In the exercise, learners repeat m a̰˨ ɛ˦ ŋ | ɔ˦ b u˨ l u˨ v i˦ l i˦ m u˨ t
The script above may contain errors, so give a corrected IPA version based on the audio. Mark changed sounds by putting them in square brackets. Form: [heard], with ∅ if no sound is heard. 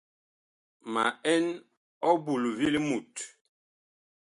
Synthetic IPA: m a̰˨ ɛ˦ [n] | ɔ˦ b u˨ l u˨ v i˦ l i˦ m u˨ t